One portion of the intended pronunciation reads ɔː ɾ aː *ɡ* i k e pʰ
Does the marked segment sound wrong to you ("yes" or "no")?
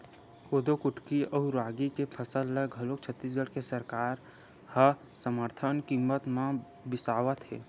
no